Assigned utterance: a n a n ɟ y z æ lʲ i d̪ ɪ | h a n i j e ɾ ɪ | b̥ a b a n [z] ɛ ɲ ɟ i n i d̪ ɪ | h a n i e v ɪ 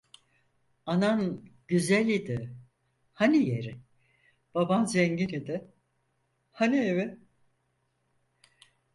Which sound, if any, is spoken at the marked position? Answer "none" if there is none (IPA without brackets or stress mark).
z